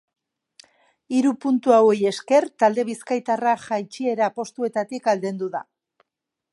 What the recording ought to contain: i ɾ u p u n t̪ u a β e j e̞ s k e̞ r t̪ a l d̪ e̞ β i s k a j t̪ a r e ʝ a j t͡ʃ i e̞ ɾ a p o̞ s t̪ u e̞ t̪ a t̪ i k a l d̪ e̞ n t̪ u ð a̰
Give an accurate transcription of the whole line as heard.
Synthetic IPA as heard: i ɾ u p u n t̪ u a w e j e̞ s k e̞ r t̪ a l d̪ e̞ β i s k a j t̪ a r a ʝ a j t͡ʃ i e̞ ɾ a p o̞ s t̪ u e̞ t̪ a t̪ i k a l d̪ e̞ n d̪ u ð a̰

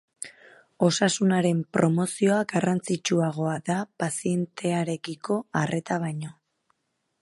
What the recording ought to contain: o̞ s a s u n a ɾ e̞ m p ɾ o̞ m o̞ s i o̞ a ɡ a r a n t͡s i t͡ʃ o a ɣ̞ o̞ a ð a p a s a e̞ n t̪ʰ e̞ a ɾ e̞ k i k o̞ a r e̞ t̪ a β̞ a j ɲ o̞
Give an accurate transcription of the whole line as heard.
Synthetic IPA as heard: o̞ s a s u n a ɾ e̞ m p ɾ o̞ m o̞ s i o̞ a ɡ a r a n t͡s i t͡ʃ u a ɣ̞ o̞ a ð a p a s i e̞ n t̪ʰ e̞ a ɾ e̞ k i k o̞ a r e̞ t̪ a β̞ a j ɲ o̞

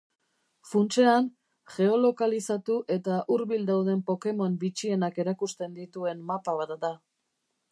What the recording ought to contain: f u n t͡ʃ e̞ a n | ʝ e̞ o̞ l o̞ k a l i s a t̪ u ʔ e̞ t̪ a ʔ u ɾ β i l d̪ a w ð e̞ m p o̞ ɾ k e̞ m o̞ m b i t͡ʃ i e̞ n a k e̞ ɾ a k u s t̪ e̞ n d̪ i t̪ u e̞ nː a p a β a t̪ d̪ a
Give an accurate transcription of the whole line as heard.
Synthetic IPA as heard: f u n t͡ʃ e̞ a n | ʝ e̞ o̞ l o̞ k a l i s a t̪ u ʔ e̞ t̪ a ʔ u ɾ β i l d̪ a w ð e̞ m p o̞ k e̞ m o̞ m b i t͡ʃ i e̞ n a k e̞ ɾ a k u s t̪ e̞ n d̪ i t̪ u e̞ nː a p a β a t̪ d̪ a

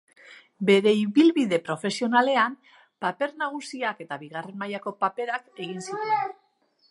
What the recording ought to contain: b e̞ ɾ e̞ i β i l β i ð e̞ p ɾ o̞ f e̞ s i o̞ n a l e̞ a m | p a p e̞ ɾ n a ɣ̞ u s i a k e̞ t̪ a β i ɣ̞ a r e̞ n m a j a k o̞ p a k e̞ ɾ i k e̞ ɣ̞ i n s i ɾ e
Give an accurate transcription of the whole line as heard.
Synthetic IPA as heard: b e̞ ɾ e̞ i β i l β i ð e̞ p ɾ o̞ f e̞ s i o̞ n a l e̞ a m | p a p e̞ ɾ n a ɣ̞ u s i a k e̞ t̪ a β i ɣ̞ a r e̞ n m a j a k o̞ p a p e̞ ɾ a k e̞ ɣ̞ i n s i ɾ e

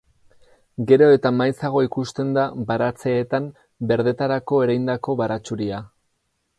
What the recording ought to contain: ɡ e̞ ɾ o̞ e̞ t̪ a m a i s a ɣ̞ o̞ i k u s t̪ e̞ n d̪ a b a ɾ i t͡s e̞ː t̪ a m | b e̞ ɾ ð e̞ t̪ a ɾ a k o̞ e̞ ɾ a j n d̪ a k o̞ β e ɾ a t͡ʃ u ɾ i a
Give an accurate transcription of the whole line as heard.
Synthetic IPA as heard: ɡ e̞ ɾ o̞ e̞ t̪ a m a j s a ɣ̞ o̞ i k u s t̪ e̞ n d̪ a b a ɾ a t͡s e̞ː t̪ a m | b e̞ ɾ ð e̞ t̪ a ɾ a k o̞ e̞ ɾ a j n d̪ a k o̞ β a ɾ a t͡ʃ u ɾ i a

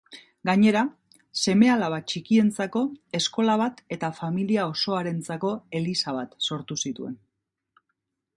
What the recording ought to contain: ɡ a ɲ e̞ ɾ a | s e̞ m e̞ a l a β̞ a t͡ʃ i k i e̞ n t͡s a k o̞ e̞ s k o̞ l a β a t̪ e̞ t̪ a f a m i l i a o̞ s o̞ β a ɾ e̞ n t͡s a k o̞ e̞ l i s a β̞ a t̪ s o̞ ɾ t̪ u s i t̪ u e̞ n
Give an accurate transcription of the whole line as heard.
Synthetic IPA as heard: ɡ a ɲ e̞ ɾ a | s e̞ m e̞ a l a β̞ a t͡ʃ i k i e̞ n t͡s a k o̞ e̞ s k o̞ l a β a t̪ e̞ t̪ a f a m i l i a o̞ s o̞ a ɾ e̞ n t͡s a k o̞ e̞ l i s a β̞ a t̪ s o̞ ɾ t̪ u s i t̪ u e̞ n

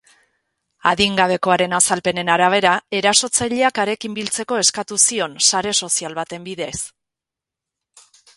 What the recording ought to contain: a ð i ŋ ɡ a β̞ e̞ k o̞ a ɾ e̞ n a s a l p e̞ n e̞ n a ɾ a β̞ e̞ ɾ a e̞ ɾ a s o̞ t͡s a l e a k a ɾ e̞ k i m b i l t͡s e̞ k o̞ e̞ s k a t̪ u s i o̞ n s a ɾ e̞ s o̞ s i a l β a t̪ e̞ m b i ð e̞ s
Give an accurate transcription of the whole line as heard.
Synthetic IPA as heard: a ð i ŋ ɡ a β̞ e̞ k o̞ a ɾ e̞ n a s a l p e̞ n e̞ n a ɾ a β̞ e̞ ɾ a e̞ ɾ a s o̞ t͡s a ʎ e a k a ɾ e̞ k i m b i l t͡s e̞ k o̞ e̞ s k a t̪ u s i o̞ n s a ɾ e̞ s o̞ s i a l β a t̪ e̞ m b i ð e̞ s

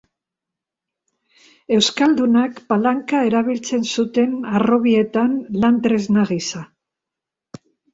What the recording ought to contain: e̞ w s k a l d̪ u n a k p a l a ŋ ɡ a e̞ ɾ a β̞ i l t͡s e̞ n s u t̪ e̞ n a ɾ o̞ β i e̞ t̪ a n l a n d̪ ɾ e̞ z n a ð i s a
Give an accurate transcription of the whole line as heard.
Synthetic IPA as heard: e̞ w s k a l d̪ u n a k p a l a ŋ k a e̞ ɾ a β̞ i l t͡s e̞ n s u t̪ e̞ n a r o̞ β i e̞ t̪ a n l a n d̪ ɾ e̞ z n a ɣ i s a

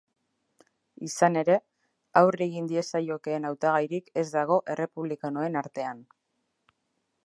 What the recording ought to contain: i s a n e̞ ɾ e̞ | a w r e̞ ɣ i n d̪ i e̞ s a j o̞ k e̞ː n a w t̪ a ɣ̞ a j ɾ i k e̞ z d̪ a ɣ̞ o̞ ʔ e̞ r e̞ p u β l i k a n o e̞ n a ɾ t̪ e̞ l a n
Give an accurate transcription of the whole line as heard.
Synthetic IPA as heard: i s a n e̞ ɾ e̞ | a w r e̞ ɣ i n d̪ i e̞ s a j o̞ k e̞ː n a w t̪ a ɣ̞ a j ɾ i k e̞ z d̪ a ɣ̞ o̞ ʔ e̞ r e̞ p u β l i k a n o e̞ n a ɾ t̪ e̞ a n

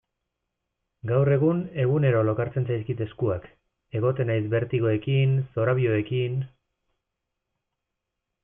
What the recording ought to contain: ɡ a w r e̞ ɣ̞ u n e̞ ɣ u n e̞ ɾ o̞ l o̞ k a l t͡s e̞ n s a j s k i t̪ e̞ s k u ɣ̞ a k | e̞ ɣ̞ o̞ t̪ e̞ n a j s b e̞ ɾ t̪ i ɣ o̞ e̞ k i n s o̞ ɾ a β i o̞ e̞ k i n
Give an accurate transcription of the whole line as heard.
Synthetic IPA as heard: ɡ a w r e̞ ɣ̞ u n e̞ ɣ u n e̞ ɾ o̞ l o̞ k a ɾ t͡s e̞ n s a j s k i t̪ e̞ s k u a k | e̞ ɣ̞ o̞ t̪ e̞ n a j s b e̞ ɾ t̪ i ɣ o̞ e̞ k i n s o̞ ɾ a β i o̞ e̞ k i n

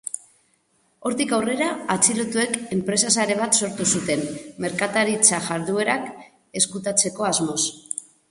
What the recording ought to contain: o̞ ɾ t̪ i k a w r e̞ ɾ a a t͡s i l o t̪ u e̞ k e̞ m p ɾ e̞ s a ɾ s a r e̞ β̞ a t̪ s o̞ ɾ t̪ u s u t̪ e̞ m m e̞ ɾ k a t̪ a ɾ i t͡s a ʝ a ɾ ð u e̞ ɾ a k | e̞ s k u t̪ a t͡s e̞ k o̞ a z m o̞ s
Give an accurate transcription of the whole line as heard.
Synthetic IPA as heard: o̞ ɾ t̪ i k a w r e̞ ɾ a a t͡s i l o t̪ u e̞ k e̞ m p ɾ e̞ s a s a ɾ e̞ β̞ a t̪ s o̞ ɾ t̪ u s u t̪ e̞ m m e̞ ɾ k a t̪ a ɾ i t͡s a ʝ a ɾ ð u e̞ ɾ a k | e̞ s k u t̪ a t͡s e̞ k o̞ a z m o̞ s

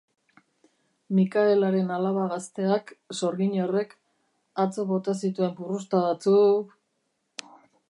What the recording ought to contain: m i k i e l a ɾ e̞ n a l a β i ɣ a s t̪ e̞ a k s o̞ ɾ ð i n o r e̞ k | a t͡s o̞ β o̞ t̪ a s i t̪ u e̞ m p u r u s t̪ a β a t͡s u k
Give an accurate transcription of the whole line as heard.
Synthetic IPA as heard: m i k a e l a ɾ e̞ n a l a β a ɣ a s t̪ e̞ a k s o̞ ɾ ɣ i ɲ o r e̞ k | a t͡s o̞ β o̞ t̪ a s i t̪ u e̞ m p u r u s t̪ a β a t͡s u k

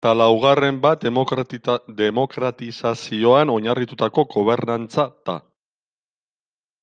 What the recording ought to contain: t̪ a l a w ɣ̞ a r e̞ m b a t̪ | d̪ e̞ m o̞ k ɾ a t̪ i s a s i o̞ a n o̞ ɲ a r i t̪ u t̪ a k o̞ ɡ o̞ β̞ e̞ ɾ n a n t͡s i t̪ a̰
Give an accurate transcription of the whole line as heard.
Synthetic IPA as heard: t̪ a l a w ɣ̞ a r e̞ m b a t̪ | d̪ e̞ m o̞ k ɾ a t̪ i s a s i o̞ a n o̞ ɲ a r i t̪ u t̪ a k o̞ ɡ o̞ β̞ e̞ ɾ n a n t͡s a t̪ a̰

